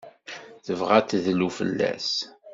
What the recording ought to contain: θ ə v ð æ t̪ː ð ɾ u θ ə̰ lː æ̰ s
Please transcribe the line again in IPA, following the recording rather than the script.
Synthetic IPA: θ ə v ʁ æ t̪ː ð l u f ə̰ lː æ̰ s